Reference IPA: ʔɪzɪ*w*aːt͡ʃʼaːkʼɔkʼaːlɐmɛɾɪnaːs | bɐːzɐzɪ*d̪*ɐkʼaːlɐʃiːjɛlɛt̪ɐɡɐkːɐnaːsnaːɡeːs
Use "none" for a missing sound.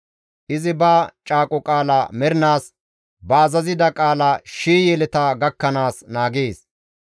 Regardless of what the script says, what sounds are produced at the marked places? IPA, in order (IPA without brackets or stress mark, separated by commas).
b, d̪